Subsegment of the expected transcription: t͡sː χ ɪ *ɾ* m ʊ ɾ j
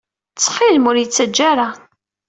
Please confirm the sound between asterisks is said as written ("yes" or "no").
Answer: no